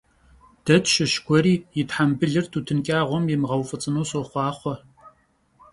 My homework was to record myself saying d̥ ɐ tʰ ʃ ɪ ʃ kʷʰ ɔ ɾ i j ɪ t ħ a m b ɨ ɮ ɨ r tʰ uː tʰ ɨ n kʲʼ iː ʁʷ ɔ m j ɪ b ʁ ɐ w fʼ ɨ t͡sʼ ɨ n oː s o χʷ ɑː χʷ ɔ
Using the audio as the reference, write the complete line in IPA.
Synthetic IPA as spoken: d̥ ɐ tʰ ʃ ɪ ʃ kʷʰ ɔ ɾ iː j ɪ t ħ a m b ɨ ɮ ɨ r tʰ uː tʰ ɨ n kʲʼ aː ʁʷ ɔ m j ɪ m ʁ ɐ w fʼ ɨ t͡sʼ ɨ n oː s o χʷ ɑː χʷ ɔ